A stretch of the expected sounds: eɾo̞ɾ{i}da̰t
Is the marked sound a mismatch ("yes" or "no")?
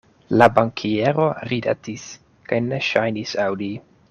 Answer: no